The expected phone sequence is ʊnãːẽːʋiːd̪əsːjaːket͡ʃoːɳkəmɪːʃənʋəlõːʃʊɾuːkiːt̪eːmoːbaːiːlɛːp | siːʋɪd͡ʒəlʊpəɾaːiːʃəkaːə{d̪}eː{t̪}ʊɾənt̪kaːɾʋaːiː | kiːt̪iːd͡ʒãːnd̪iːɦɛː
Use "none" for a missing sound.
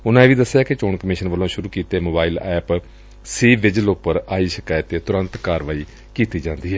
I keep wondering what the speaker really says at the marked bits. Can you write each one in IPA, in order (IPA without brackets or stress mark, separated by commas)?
t̪, t̪